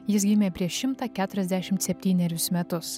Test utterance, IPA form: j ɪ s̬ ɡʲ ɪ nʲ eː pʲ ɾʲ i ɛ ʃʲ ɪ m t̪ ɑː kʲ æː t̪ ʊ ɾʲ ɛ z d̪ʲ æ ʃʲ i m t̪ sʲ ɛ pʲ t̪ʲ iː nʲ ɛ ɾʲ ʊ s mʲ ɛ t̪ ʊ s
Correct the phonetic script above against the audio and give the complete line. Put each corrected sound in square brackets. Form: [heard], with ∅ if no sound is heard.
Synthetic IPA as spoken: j ɪ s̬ ɡʲ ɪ [mʲ] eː pʲ ɾʲ i ɛ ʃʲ ɪ m t̪ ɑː kʲ æː t̪ ʊ ɾʲ ɛ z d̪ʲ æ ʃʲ [ɪ] m t̪ sʲ ɛ pʲ t̪ʲ iː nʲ ɛ ɾʲ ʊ s mʲ ɛ t̪ ʊ s

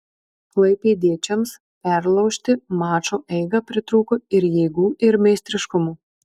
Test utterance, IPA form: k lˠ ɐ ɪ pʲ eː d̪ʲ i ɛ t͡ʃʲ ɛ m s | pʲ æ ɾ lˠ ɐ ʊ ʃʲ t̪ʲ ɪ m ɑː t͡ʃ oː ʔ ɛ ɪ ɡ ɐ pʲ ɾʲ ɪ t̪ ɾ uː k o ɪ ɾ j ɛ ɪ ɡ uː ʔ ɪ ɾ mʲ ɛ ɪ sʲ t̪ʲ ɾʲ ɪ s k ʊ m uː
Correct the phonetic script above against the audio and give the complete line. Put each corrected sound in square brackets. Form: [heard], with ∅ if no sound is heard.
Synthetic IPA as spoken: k lˠ ɐ ɪ pʲ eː d̪ʲ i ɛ t͡ʃʲ ɛ m s | pʲ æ ɾ lˠ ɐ ʊ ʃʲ t̪ʲ ɪ m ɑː t͡ʃ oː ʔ ɛ ɪ ɡ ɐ pʲ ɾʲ ɪ t̪ ɾ uː k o ɪ ɾ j ɛ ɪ ɡ uː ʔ ɪ ɾ mʲ ɛ ɪ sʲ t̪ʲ ɾʲ ɪ [ʃ] k ʊ m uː

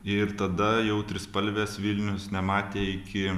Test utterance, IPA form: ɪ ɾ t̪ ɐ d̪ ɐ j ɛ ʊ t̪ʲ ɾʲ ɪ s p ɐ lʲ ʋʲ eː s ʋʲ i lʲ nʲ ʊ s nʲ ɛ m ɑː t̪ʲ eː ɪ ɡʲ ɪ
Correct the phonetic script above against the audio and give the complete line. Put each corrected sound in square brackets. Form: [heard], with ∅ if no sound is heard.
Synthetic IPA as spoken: ɪ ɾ t̪ ɐ d̪ ɐ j ɛ ʊ t̪ʲ ɾʲ ɪ s p ɐ lʲ ʋʲ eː s ʋʲ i lʲ nʲ ʊ s nʲ ɛ m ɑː t̪ʲ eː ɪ [kʲ] ɪ

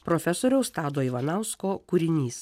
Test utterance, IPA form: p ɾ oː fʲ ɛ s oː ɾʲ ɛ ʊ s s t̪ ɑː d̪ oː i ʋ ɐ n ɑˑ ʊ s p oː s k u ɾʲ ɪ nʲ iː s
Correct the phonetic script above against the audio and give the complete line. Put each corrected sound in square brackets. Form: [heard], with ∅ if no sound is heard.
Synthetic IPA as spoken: p ɾ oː fʲ ɛ s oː ɾʲ ɛ ʊ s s t̪ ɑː d̪ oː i ʋ ɐ n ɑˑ ʊ s [k] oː [∅] k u ɾʲ ɪ nʲ iː s

